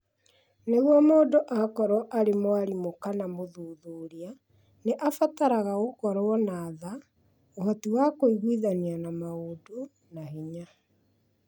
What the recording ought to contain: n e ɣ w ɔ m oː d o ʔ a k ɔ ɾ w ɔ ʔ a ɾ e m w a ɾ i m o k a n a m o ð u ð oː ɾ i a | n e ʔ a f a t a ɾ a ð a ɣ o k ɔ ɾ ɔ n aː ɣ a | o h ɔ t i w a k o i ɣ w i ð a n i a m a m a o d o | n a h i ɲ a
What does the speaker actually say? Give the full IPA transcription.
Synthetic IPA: n e ɣ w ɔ m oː d o ʔ a k ɔ ɾ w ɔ ʔ a ɾ e m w a ɾ i m o k a n a m o ð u ð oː ɾ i a | n e ʔ a f a t a ɾ a ɣ a ɣ o k ɔ ɾ ɔ n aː ð a | o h ɔ t i w a k o i ɣ w i ð a n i a n a m a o d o | n a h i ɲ a